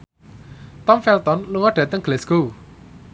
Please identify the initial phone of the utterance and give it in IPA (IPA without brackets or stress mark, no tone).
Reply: t̪